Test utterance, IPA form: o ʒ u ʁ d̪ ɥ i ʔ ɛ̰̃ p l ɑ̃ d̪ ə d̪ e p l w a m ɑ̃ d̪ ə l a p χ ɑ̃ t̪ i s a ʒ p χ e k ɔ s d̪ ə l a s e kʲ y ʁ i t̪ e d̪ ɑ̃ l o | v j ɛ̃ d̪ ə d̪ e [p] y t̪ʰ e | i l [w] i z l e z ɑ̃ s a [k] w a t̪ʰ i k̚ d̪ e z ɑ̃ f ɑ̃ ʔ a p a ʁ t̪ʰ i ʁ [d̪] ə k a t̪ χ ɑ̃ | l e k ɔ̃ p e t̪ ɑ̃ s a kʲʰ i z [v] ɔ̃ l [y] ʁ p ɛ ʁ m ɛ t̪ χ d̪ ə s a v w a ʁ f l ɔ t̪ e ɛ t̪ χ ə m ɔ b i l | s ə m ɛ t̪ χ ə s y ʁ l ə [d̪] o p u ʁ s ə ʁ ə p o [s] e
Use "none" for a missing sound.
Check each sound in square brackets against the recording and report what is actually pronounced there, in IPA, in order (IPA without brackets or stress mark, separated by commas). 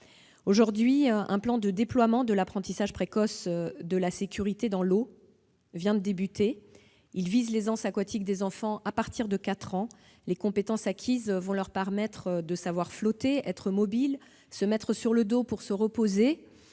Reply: b, v, k, d̪, v, œ, d̪, z